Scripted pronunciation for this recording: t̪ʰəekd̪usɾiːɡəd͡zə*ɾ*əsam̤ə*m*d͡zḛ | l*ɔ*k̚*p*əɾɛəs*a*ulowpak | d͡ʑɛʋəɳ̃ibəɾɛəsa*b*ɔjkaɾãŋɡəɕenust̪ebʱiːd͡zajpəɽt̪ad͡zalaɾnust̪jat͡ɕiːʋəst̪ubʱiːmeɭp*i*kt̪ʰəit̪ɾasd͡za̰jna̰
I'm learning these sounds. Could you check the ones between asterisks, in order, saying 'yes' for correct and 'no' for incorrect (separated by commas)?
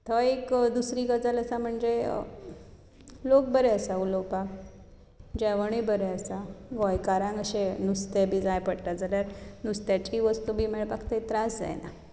no, no, no, no, yes, no, no